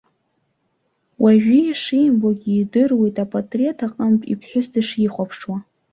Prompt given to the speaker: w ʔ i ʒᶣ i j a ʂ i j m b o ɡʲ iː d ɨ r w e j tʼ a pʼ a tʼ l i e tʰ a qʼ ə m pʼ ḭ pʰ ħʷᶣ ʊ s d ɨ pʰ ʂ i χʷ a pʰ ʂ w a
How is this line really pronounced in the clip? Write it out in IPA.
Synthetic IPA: w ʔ a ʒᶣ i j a ʂ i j m b o ɡʲ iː d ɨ r w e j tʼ a pʼ a tʼ r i e tʰ a qʼ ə m pʼ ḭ pʰ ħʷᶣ ʊ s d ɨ ʂ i χʷ a pʰ ʂ w a